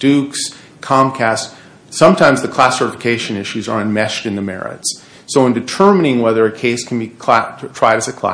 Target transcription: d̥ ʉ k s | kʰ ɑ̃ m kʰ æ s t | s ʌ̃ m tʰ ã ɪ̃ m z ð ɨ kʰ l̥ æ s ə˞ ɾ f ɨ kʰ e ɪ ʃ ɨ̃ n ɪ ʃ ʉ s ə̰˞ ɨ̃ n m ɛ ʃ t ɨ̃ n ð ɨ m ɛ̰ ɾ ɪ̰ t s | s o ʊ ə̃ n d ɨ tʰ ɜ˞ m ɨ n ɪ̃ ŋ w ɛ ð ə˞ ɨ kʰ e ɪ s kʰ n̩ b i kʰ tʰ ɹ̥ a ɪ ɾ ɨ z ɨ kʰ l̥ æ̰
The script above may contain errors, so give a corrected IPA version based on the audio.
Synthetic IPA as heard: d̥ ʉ k s | kʰ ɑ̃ m kʰ æ s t | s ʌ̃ m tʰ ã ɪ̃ m z ð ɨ kʰ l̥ æ s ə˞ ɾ f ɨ kʰ e ɪ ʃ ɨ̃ n ɪ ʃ ʉ z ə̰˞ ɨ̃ n m ɛ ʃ t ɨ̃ n ð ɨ m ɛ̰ ɹ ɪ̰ t s | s o ʊ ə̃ n d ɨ tʰ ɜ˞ m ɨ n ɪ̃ ŋ w ɛ ð ə˞ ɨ kʰ e ɪ s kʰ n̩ b i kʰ tʰ ɹ̥ a ɪ ɾ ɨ z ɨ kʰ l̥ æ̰